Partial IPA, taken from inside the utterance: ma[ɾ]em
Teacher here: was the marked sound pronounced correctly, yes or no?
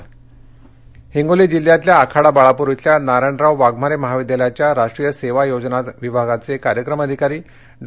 yes